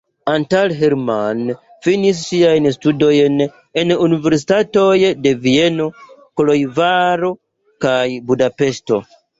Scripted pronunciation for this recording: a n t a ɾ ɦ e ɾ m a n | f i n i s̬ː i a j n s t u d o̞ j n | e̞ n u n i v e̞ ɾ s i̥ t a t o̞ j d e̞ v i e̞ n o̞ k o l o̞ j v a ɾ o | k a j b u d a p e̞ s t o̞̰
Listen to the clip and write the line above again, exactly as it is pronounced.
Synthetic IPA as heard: a n t a l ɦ e ɾ m a n | f i n i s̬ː i a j n s t u d o̞ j n | e̞ n u n i v e̞ ɾ s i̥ t a t o̞ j d e̞ v i e̞ n o̞ k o l o̞ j v a ɾ o | k a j b u d a p e̞ s t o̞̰

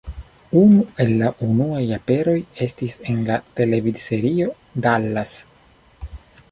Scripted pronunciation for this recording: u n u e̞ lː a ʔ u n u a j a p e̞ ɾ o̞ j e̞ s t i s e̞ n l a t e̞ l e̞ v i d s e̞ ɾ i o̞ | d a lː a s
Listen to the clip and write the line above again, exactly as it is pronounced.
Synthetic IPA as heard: u n u e̞ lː a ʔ u n u a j a p e̞ ɾ o̞ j e̞ s t i s e̞ n l a t e̞ l e̞ v i d s e̞ ɾ i o̞ | d a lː a s

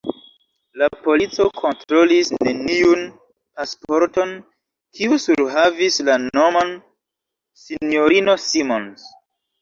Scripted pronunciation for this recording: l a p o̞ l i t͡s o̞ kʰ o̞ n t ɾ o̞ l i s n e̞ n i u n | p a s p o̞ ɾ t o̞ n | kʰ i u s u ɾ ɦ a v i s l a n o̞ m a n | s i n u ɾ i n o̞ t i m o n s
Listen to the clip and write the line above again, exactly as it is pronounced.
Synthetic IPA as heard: l a p o̞ l i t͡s o̞ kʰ o̞ n t ɾ o̞ l i s n e̞ n i u n | p a s p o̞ ɾ t o̞ n | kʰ i u s u ɾ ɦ a v i s l a n o̞ m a n | s i n o ɾ i n o̞ s i m o n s

